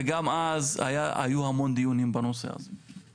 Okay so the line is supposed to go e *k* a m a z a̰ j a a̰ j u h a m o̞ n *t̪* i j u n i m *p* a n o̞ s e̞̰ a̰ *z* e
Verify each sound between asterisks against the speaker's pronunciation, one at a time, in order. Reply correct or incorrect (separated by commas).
incorrect, incorrect, incorrect, correct